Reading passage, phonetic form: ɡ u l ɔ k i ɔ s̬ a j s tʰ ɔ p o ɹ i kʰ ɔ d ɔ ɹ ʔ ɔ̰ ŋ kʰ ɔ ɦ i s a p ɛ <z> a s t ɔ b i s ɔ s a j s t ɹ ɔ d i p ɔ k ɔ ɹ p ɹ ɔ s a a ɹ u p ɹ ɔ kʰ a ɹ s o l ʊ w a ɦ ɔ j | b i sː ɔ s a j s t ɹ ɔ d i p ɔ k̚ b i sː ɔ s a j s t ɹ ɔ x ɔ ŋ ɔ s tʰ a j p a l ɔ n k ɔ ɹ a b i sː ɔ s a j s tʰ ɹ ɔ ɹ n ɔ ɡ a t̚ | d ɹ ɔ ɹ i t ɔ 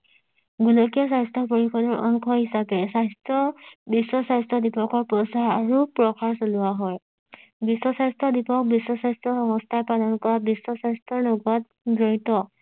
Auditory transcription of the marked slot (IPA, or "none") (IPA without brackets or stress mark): s